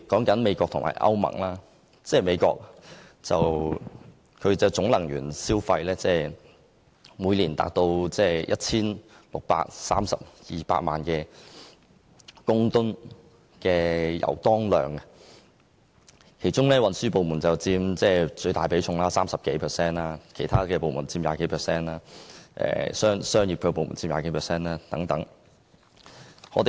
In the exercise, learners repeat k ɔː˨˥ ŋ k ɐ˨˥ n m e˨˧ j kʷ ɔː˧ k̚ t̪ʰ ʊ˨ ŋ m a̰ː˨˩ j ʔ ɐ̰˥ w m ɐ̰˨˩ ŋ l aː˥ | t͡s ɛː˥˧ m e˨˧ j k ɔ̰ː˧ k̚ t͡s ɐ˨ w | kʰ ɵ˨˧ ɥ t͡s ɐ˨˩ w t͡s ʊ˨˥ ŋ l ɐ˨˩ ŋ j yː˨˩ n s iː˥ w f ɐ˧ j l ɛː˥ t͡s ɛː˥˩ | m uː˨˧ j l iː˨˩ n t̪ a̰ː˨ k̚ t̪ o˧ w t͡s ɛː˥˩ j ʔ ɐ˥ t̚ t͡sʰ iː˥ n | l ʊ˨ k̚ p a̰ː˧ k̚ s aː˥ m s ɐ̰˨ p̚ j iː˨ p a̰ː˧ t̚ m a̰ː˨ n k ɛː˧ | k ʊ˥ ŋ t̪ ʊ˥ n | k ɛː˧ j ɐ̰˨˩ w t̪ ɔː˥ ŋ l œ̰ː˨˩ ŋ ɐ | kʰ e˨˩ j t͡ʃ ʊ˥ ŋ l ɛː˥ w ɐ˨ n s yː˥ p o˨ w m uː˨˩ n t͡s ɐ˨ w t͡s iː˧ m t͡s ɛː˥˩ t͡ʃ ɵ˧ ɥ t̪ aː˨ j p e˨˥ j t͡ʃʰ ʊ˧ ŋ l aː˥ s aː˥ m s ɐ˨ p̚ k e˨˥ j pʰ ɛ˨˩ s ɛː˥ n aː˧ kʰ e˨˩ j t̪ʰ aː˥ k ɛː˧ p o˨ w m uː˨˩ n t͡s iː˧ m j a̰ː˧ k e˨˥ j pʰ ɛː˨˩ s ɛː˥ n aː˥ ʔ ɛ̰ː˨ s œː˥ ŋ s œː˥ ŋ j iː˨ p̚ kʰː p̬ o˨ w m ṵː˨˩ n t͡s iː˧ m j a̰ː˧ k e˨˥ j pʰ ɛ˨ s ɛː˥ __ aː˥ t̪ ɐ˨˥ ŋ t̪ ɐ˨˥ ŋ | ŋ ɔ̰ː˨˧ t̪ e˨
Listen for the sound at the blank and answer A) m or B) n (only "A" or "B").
B